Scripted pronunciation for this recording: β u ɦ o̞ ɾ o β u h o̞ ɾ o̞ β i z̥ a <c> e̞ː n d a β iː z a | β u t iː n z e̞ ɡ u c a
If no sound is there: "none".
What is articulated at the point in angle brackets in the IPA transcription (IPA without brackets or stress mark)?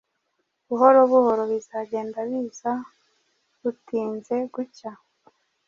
ɟ